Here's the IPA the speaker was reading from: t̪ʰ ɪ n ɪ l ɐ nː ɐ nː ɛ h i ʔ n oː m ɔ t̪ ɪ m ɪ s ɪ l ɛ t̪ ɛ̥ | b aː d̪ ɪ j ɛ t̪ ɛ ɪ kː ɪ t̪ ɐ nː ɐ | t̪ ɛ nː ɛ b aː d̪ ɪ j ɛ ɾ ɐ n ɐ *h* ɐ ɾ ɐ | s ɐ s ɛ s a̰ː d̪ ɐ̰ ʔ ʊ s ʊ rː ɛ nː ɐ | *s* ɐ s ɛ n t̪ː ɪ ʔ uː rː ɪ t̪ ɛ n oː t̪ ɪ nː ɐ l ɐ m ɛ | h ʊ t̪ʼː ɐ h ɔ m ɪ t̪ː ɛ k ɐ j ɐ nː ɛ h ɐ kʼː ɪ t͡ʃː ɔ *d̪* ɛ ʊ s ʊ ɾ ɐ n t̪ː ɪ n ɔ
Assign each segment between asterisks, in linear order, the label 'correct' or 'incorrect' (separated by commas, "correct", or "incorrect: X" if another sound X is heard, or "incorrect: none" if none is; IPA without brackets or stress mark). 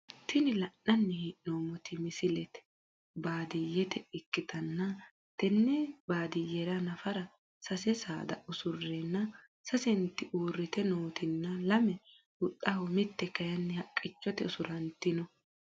incorrect: f, correct, incorrect: t̪